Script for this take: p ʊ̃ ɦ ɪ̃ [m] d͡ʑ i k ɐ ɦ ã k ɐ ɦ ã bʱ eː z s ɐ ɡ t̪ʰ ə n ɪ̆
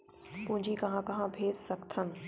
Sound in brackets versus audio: incorrect: ɲ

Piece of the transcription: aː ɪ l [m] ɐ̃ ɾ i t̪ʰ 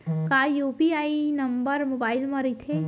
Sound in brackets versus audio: correct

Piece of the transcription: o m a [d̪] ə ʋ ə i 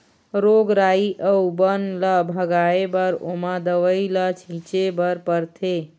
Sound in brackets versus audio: correct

